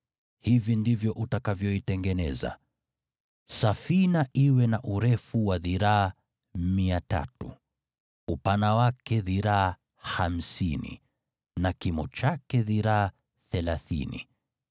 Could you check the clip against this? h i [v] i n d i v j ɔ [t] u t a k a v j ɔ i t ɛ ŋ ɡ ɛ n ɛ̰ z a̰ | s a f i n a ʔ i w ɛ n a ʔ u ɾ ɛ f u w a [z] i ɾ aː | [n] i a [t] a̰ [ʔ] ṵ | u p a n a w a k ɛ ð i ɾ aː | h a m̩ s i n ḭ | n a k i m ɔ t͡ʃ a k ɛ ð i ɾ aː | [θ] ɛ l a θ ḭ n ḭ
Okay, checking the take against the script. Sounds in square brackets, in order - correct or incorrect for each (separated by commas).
correct, incorrect, incorrect, incorrect, correct, incorrect, correct